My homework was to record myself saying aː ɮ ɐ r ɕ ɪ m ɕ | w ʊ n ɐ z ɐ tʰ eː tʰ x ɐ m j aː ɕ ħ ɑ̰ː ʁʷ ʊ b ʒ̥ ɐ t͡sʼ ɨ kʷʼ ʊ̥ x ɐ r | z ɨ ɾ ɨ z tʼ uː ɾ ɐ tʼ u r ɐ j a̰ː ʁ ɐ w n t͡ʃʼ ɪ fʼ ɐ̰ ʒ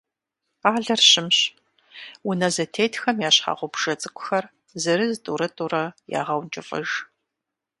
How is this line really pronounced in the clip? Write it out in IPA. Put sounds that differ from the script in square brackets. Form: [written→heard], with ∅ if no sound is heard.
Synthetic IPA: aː ɮ ɐ r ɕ ɪ m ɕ | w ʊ n ɐ z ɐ tʰ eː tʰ x ɐ m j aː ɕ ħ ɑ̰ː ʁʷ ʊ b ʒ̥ ɐ t͡sʼ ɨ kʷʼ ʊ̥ x ɐ r | z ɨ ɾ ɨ z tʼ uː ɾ ɐ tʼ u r ɐ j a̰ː ʁ ɐ w n t͡ʃʼ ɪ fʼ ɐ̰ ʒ